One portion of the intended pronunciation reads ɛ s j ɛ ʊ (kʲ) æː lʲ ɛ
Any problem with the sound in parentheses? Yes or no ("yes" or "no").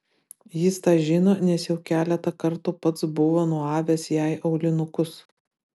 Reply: no